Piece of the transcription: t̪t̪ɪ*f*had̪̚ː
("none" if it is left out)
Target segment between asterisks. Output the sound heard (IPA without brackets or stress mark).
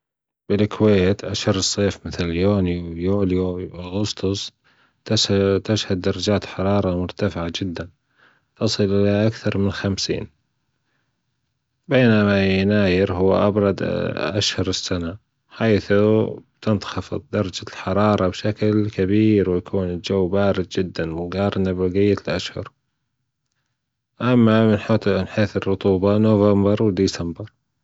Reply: ʃ